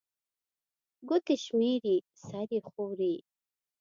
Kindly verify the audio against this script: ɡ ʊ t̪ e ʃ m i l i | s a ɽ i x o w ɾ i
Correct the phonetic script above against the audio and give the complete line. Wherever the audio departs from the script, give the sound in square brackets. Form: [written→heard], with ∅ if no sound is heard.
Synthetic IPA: ɡ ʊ t̪ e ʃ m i [l→ɾ] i | s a [ɽ→ɾ] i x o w ɾ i